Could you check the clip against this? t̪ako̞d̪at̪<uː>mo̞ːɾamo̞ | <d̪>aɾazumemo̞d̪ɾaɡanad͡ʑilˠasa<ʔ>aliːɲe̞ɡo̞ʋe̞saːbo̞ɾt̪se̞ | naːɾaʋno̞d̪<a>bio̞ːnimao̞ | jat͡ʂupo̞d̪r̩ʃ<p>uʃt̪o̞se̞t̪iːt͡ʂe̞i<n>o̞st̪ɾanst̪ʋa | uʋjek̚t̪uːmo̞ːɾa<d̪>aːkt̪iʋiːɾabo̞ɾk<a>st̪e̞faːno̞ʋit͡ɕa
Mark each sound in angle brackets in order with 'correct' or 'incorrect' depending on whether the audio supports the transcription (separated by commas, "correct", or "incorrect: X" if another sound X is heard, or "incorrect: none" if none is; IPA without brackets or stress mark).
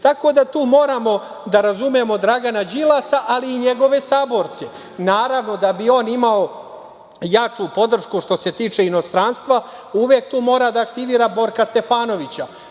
correct, correct, correct, correct, incorrect: k, correct, correct, correct